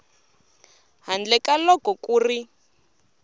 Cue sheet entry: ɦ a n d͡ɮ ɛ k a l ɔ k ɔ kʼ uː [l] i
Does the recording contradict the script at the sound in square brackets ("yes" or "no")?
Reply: yes